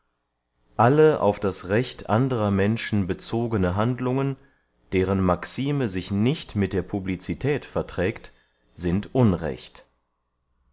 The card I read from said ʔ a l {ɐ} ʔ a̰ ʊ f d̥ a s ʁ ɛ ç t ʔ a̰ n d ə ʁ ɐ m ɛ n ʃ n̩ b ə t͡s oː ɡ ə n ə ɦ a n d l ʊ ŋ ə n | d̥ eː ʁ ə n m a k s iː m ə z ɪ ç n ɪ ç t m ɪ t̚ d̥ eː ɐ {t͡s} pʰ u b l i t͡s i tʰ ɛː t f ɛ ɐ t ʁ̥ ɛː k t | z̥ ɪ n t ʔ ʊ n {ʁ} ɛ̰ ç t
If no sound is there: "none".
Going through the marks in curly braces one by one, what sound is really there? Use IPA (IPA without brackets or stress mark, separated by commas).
ə, none, ʁ